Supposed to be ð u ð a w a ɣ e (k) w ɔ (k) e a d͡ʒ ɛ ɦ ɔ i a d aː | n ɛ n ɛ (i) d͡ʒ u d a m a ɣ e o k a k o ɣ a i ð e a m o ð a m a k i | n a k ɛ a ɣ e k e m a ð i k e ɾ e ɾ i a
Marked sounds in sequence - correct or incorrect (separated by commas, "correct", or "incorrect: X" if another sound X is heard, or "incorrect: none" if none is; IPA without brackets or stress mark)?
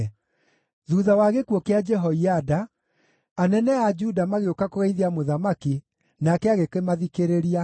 correct, correct, incorrect: a